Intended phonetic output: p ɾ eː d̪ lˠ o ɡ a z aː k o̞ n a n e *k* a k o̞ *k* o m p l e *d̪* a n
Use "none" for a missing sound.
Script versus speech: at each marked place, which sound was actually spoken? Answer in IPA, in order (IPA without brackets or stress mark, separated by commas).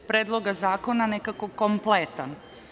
k, k, t̪